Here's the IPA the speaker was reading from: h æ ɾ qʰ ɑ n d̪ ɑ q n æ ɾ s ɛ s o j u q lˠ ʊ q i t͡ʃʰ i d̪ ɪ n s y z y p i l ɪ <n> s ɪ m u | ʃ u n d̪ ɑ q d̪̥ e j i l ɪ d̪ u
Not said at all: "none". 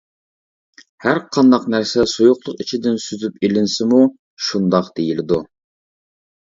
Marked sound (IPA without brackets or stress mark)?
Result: n